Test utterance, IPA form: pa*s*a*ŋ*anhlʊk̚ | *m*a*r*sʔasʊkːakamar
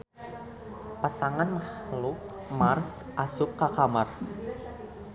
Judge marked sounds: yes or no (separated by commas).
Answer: yes, yes, yes, yes